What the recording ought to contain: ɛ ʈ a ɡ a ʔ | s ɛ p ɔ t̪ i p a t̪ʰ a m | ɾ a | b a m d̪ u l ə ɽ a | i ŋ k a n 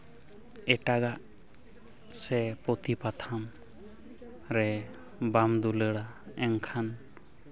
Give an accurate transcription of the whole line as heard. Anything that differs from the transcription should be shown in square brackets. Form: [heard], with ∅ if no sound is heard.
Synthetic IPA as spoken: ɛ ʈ a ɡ a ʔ | s ɛ p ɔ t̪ i p a t̪ʰ a m | ɾ [ɛ] | b a m d̪ u l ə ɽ a | [ɛ] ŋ [kʰ] a n

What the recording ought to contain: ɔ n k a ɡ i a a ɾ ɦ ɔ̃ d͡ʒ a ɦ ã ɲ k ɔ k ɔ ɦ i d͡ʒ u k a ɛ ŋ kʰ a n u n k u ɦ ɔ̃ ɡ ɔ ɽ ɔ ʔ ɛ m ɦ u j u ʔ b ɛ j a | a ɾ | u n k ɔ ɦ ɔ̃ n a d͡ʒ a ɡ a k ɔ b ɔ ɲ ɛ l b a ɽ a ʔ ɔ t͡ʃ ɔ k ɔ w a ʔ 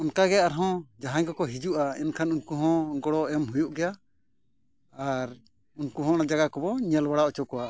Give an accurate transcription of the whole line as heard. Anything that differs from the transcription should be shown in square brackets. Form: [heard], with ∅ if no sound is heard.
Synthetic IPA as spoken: ɔ n k a ɡ [ɛ] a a ɾ ɦ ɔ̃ d͡ʒ a ɦ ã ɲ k ɔ k ɔ ɦ i d͡ʒ u [ʔ] a ɛ [n] kʰ a n u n k u ɦ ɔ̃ ɡ ɔ ɽ ɔ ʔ ɛ m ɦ u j u ʔ [ɡ] ɛ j a | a ɾ | u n k [u] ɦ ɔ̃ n a d͡ʒ a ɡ a k ɔ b ɔ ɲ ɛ l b a ɽ a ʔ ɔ t͡ʃ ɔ k ɔ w a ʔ

